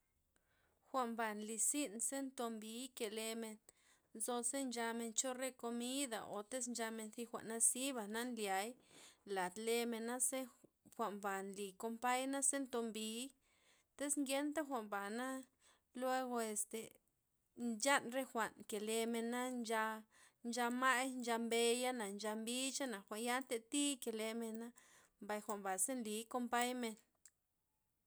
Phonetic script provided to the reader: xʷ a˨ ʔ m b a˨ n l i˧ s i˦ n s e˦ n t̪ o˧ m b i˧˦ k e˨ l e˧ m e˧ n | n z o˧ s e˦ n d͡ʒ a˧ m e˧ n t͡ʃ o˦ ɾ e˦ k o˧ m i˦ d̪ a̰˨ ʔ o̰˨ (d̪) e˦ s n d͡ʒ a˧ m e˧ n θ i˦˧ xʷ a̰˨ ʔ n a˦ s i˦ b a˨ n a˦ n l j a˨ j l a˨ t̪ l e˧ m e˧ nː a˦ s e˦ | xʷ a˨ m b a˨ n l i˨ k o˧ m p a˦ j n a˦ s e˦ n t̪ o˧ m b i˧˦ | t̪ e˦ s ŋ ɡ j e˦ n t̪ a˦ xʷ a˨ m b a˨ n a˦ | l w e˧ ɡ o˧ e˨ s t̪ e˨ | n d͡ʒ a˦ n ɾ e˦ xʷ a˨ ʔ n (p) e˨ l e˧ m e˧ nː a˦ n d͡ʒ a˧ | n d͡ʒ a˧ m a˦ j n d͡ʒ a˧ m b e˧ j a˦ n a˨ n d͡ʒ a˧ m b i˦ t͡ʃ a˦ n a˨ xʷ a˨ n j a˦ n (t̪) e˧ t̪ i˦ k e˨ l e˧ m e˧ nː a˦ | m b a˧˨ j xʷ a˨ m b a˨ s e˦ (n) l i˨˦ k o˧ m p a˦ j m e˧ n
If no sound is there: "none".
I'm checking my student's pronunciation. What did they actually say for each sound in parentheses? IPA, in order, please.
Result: t̪, k, t̪, n

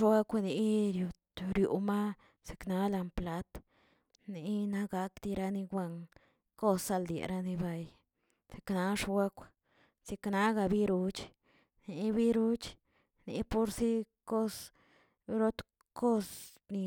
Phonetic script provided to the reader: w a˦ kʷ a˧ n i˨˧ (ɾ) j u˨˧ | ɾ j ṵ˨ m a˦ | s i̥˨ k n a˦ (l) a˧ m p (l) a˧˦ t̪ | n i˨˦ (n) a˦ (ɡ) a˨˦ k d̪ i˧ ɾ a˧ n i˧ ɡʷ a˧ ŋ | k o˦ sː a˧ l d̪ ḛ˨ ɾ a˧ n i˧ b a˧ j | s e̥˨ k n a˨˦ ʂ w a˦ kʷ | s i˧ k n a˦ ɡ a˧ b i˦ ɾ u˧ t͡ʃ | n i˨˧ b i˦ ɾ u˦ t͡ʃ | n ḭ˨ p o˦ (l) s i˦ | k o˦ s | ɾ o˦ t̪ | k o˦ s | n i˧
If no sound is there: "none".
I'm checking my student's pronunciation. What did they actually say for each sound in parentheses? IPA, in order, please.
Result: ɾ, l, l, n, ɡ, ɾ

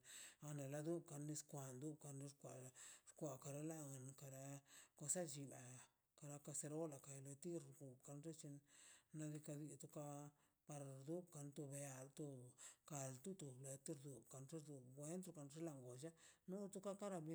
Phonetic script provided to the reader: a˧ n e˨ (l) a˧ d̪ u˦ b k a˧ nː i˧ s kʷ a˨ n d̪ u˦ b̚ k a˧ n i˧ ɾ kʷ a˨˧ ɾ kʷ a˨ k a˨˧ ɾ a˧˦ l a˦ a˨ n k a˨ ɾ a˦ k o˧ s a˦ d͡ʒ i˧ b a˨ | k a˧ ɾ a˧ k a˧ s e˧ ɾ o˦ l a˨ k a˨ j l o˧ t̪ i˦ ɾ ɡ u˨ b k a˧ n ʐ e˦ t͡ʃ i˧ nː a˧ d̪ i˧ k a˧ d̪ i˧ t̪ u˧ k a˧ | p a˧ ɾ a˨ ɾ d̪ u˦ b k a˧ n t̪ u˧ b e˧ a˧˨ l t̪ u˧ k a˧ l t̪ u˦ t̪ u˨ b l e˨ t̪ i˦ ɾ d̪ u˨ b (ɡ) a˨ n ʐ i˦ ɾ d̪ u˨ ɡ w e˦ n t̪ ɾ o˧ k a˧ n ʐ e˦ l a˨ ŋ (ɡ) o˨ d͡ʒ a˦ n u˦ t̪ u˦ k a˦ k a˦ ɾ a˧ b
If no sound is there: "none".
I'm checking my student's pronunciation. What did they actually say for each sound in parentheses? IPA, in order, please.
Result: l, k, ɡ

